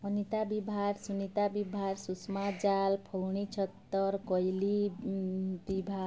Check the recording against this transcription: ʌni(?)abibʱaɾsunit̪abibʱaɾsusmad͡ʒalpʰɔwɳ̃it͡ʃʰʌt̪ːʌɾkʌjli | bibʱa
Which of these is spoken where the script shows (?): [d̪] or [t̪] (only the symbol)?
t̪